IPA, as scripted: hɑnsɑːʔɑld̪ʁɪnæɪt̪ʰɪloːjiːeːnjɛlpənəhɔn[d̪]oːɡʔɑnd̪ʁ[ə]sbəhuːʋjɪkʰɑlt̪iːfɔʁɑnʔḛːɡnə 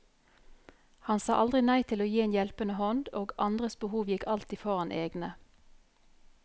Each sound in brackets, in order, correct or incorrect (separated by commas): correct, correct